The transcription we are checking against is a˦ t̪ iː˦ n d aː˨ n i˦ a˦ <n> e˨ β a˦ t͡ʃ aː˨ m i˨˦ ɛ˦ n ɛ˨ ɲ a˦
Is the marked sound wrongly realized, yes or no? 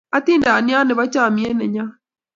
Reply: no